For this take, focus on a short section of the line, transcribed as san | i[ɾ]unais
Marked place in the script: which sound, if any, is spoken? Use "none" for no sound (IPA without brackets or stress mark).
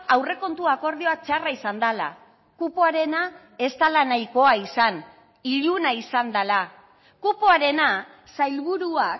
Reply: ʎ